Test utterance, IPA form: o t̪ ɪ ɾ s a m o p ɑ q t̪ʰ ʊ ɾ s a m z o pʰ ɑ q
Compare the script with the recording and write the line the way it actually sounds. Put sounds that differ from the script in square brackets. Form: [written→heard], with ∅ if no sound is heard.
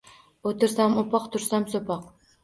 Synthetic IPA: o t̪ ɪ ɾ s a m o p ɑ q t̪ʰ ʊ ɾ s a m [z→s] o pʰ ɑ q